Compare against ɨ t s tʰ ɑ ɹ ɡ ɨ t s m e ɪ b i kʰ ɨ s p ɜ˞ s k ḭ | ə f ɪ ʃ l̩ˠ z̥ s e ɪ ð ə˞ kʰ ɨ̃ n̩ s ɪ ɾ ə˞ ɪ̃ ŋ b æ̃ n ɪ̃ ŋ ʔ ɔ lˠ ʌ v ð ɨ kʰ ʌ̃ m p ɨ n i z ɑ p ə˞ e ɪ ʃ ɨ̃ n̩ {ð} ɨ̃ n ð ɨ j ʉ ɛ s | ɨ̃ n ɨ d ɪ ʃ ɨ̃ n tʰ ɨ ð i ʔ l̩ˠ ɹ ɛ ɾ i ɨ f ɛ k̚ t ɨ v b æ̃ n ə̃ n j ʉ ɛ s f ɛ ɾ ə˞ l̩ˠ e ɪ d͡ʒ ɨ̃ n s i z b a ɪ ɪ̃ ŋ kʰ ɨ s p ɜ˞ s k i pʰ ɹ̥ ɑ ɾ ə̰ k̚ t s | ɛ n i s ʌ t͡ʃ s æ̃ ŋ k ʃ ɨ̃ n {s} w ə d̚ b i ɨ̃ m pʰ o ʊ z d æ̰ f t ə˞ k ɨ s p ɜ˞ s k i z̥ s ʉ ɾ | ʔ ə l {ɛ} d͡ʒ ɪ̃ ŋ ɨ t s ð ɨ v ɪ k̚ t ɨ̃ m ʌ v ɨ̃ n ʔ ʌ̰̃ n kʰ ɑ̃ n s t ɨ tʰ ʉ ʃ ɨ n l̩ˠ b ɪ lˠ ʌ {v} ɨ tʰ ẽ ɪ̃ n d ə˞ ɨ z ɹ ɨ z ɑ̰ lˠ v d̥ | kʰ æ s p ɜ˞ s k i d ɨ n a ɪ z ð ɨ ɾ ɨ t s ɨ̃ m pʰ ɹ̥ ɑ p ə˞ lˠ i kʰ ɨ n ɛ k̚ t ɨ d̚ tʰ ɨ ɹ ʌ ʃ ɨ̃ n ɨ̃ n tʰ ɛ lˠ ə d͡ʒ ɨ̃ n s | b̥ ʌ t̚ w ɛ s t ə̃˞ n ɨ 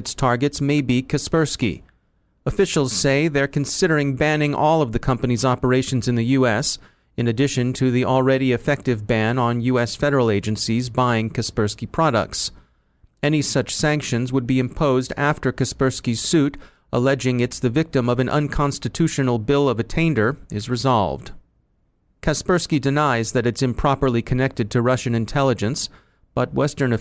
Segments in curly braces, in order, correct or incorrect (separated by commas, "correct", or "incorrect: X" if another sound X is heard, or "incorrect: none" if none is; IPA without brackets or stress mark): incorrect: z, incorrect: z, correct, correct